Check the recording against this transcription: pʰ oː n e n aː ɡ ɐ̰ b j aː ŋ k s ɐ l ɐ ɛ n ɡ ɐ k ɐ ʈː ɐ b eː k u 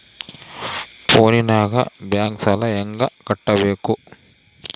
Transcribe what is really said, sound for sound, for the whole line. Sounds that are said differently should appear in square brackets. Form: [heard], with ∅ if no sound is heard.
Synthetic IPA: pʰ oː n [i] n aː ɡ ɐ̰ b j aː ŋ k s ɐ l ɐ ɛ [ŋ] ɡ ɐ k ɐ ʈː ɐ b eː k u